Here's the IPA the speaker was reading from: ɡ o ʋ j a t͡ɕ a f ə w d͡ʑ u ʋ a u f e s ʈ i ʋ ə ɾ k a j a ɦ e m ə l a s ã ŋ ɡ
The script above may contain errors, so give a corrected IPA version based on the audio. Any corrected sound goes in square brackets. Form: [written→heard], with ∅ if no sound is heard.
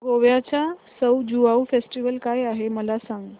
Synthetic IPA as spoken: ɡ o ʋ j a t͡ɕ a [f→s] ə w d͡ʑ u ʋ a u f e s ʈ i ʋ ə [ɾ→l] k a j a ɦ e m ə l a s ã ŋ ɡ

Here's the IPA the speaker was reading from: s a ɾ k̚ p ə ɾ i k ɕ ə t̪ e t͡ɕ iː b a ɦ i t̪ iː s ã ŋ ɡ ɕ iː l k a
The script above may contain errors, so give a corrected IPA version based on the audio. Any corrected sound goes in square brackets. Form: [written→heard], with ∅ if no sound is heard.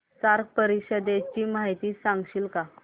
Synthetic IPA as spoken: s a ɾ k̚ p ə ɾ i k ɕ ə [t̪→d̪] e t͡ɕ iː [b→m] a ɦ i t̪ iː s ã ŋ ɡ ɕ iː l k a

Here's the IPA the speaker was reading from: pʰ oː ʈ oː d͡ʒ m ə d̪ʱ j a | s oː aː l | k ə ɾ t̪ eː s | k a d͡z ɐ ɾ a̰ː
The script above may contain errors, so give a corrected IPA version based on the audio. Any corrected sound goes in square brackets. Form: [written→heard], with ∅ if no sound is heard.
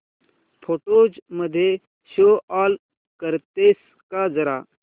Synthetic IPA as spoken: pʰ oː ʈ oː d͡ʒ m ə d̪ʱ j [a→e] | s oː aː l | k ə ɾ t̪ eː s | k a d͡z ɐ ɾ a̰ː

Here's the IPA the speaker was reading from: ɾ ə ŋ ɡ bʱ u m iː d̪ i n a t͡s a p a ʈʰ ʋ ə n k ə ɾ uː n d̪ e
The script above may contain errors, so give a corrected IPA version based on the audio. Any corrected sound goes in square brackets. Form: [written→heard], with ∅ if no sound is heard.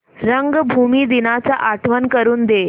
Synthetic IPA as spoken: ɾ ə ŋ ɡ bʱ u m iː d̪ i n a t͡s a [p→ʔ] a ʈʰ ʋ ə n k ə ɾ uː n d̪ e

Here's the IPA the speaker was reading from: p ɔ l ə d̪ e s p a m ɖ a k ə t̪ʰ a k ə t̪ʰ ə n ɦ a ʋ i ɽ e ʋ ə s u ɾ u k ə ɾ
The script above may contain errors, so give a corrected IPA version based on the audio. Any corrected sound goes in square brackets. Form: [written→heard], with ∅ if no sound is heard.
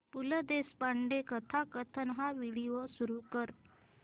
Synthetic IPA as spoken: p [ɔ→u] l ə d̪ e s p a [m→ɳ] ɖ [a→e] k ə t̪ʰ a k ə t̪ʰ ə n ɦ a ʋ i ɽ [e→i] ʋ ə s u ɾ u k ə ɾ

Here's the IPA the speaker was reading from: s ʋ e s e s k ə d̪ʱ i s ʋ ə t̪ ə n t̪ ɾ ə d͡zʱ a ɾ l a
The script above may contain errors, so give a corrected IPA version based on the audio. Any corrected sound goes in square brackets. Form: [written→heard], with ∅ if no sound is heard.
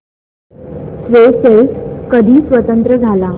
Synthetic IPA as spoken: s ʋ e s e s k ə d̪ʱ [i→iː] s ʋ ə t̪ ə n t̪ ɾ ə d͡zʱ a [ɾ→∅] l a

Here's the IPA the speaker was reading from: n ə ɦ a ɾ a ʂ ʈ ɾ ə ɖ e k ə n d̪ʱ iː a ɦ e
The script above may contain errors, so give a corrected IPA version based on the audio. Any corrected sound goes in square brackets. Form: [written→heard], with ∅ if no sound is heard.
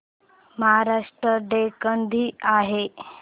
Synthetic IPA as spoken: [n→m] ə ɦ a ɾ a ʂ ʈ ɾ ə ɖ e k ə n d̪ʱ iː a ɦ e

